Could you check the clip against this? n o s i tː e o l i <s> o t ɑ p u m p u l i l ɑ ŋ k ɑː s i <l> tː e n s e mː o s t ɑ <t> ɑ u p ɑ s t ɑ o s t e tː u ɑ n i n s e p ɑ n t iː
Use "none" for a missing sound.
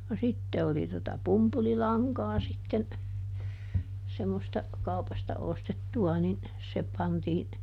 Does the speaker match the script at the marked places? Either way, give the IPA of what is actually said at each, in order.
t, none, k

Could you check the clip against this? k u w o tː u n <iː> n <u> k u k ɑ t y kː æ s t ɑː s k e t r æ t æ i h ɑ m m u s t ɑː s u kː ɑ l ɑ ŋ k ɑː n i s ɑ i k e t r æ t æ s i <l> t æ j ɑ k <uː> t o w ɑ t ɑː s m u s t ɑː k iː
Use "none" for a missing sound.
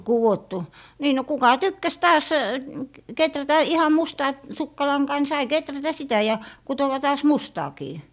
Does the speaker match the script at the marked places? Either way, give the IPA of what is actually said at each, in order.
iː, o, none, u

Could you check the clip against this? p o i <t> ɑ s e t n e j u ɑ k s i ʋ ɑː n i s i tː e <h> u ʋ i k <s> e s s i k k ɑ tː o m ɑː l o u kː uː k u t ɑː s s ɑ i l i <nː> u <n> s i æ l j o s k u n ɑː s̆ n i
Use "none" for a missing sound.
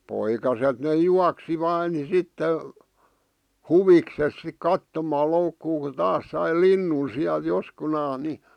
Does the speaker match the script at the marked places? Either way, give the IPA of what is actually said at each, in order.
k, h, s, nː, n

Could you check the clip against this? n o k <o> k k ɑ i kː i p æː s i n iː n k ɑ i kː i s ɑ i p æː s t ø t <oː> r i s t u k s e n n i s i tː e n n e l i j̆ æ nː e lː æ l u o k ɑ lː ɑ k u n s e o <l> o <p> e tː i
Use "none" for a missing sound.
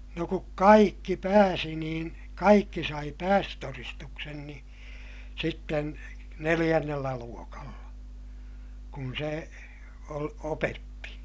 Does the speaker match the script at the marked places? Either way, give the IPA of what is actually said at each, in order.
u, o, l, p

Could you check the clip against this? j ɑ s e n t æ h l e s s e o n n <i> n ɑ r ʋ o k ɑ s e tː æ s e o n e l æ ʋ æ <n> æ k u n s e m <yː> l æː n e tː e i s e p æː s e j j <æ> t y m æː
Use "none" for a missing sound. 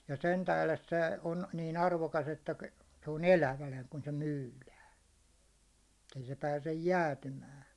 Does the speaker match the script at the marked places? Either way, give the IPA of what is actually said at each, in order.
iː, n, yː, æː

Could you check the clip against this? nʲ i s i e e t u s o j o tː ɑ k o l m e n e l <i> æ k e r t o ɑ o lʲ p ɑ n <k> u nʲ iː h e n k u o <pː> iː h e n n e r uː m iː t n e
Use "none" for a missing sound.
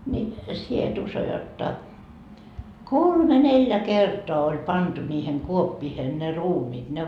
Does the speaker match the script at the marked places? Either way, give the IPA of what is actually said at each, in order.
j, t, pː

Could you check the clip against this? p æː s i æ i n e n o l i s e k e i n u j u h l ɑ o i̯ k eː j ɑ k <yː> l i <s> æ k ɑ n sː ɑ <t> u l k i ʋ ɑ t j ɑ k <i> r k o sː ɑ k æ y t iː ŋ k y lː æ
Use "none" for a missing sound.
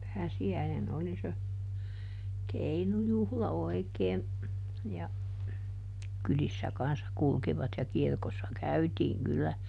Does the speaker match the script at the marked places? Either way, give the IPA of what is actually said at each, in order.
y, sː, k, i

